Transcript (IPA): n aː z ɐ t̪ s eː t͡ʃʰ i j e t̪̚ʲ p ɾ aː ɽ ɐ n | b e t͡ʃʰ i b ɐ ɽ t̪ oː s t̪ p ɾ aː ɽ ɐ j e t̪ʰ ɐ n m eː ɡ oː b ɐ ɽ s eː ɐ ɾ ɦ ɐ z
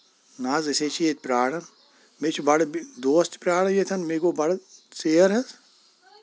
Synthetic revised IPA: n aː z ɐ s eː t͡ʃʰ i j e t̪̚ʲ p ɾ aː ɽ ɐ n | m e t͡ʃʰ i b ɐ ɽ d̪ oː s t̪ p ɾ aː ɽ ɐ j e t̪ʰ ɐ n m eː ɡ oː b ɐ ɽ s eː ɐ ɾ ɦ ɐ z